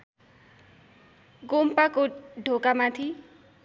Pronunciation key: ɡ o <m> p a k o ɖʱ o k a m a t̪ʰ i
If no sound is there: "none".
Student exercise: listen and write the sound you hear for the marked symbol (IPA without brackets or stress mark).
m